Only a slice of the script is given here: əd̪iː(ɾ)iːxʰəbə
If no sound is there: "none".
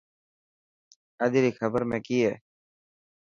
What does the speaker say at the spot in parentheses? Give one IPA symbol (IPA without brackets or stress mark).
ɾ